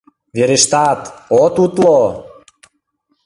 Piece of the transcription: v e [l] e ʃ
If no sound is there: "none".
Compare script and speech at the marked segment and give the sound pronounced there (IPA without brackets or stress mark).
ɾ